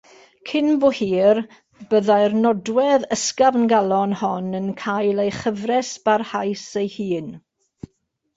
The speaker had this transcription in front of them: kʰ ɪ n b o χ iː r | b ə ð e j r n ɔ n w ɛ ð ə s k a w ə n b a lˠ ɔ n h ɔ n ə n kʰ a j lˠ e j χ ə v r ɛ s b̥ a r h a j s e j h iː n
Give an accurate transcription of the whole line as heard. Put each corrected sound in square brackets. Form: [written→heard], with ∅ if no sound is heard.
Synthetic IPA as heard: kʰ ɪ n b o [χ→h] iː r | b ə ð [e→a] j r n ɔ [n→d] w ɛ ð ə s k a [w→v] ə n [b→ɡ] a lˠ ɔ n h ɔ n ə n kʰ a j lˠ e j χ ə v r ɛ s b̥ a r h a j s e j h iː n